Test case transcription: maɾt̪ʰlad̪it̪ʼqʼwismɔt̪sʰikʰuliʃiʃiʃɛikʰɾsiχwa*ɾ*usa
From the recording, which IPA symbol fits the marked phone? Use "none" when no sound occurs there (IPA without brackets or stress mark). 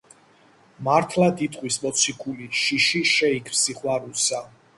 ɾ